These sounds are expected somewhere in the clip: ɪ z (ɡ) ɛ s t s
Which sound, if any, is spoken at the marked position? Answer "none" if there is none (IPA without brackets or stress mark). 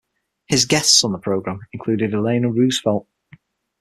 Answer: ɡ